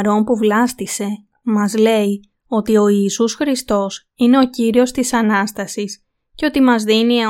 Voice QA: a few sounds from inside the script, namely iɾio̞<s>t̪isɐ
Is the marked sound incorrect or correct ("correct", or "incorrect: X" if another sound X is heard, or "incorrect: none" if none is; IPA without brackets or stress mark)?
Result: correct